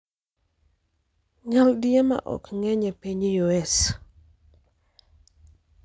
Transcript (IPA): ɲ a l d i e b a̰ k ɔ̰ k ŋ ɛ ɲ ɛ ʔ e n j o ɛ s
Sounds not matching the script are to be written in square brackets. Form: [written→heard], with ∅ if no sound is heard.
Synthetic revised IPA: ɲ a l d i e [b→m] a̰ [k→ʔ] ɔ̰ k ŋ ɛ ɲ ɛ [ʔ→p] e [n→ɲ] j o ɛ s